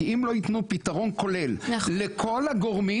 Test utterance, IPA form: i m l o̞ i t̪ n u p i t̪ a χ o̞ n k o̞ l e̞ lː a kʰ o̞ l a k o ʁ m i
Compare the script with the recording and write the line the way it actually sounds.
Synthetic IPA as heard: i m l o̞ i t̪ n u p i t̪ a ʁ o̞ n k o̞ l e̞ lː e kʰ o̞ l a ɡ o ʁ m i